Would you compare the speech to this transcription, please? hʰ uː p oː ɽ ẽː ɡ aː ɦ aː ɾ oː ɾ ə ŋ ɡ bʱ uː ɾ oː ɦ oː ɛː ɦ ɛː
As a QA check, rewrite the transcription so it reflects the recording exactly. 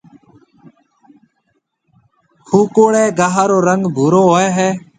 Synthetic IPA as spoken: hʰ uː k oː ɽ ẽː ɡ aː ɦ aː ɾ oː ɾ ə ŋ ɡ bʱ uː ɾ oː ɦ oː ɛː ɦ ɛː